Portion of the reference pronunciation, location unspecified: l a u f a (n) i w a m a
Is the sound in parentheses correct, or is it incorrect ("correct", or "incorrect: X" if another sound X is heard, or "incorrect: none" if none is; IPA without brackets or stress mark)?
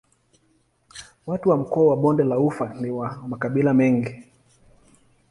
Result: correct